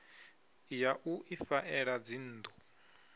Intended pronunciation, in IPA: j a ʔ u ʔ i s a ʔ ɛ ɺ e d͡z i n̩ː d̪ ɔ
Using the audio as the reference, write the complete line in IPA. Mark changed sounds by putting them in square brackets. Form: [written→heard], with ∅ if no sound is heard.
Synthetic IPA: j a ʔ u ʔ i [s→f] a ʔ ɛ ɺ [e→a] d͡z i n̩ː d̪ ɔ